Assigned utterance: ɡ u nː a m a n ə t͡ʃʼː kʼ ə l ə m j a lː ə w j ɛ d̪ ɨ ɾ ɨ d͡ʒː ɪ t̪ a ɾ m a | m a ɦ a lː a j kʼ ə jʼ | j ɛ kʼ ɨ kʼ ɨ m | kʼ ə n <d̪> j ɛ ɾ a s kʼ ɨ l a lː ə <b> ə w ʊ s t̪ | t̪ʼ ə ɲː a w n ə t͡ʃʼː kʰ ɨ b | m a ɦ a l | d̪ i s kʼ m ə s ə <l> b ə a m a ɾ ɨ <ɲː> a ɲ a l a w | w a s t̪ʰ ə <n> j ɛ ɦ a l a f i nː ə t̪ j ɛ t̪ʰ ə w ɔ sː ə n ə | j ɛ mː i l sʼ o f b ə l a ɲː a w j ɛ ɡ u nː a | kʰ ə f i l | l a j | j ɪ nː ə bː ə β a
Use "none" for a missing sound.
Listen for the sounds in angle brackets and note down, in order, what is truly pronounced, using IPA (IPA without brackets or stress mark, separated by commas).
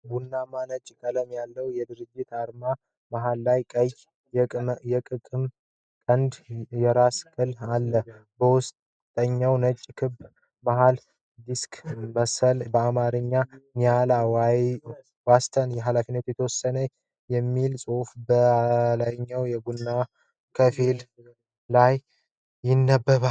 d̪, b, l, ɲː, n